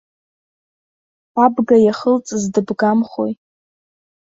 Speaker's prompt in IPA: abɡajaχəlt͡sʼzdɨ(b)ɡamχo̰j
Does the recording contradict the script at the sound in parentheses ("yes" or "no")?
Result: no